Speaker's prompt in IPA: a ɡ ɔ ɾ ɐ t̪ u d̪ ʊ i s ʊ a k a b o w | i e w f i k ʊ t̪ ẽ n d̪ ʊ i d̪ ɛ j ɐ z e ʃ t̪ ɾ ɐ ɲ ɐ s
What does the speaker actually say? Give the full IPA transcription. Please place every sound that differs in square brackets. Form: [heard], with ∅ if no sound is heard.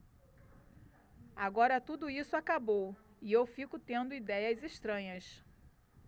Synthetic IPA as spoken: a ɡ ɔ ɾ ɐ t̪ u d̪ ʊ i s ʊ a k a b o w | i e w f i k ʊ t̪ ẽ n d̪ ʊ i d̪ ɛ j ɐ z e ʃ t̪ ɾ [ɐ̃] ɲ ɐ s